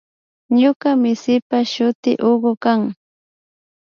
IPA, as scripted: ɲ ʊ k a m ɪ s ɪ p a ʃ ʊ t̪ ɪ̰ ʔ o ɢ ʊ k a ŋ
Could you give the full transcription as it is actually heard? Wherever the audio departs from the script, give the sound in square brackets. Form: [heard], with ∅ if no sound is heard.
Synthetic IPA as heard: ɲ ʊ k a m ɪ s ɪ p a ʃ ʊ t̪ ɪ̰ ʔ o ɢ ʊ k a ŋ